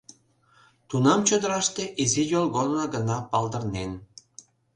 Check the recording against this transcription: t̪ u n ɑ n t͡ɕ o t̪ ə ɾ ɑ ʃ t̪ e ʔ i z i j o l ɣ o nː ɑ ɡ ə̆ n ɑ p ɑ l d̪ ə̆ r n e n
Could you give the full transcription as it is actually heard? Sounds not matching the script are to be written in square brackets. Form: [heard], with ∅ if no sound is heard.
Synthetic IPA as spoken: t̪ u n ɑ [m] t͡ɕ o [d̪] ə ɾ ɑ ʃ t̪ e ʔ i z i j o l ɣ o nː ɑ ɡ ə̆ n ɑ p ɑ l d̪ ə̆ r n e n